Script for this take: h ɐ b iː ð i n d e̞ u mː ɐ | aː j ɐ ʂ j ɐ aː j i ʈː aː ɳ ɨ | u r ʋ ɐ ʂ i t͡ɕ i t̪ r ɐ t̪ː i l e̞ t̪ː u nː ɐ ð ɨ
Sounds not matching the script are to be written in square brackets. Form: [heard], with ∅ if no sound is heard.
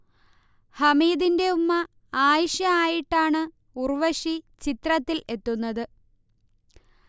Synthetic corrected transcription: h ɐ [m] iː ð i n d e̞ u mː ɐ | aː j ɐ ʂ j ɐ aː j i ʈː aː ɳ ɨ | u r ʋ ɐ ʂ i t͡ɕ i t̪ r ɐ t̪ː i l e̞ t̪ː u nː ɐ ð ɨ